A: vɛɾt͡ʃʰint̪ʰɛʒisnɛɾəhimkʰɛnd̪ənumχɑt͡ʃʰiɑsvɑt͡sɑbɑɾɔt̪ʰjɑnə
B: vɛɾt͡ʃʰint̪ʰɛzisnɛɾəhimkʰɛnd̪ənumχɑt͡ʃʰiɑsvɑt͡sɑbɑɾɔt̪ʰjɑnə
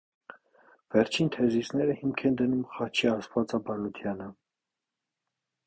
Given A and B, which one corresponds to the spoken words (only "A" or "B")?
B